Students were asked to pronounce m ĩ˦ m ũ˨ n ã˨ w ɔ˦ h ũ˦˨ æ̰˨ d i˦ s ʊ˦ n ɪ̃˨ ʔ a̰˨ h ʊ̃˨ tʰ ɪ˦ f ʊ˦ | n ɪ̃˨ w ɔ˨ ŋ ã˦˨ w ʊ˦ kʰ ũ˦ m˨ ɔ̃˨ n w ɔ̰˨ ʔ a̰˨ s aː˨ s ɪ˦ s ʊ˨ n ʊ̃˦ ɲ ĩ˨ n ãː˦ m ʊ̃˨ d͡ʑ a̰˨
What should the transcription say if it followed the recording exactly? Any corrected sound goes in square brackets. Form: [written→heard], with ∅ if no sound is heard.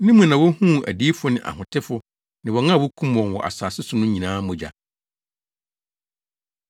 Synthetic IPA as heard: [m→n] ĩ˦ m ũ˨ n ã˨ w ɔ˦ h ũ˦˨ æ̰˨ d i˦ [s→f] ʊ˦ n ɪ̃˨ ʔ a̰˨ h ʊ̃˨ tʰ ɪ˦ f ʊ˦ | n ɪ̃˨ w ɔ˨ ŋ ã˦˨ w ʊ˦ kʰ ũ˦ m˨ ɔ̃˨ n w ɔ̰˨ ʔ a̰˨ s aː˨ s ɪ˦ s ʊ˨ n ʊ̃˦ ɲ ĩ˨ n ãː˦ m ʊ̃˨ d͡ʑ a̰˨